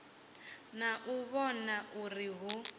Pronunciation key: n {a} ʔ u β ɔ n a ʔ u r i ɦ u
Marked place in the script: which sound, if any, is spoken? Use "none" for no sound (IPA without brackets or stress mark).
a